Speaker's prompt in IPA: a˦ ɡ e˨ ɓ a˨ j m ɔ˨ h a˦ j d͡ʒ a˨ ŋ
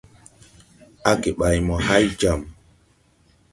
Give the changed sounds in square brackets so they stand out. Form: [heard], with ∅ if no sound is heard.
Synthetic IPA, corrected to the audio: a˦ [k] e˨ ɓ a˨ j m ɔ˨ h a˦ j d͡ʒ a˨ [m]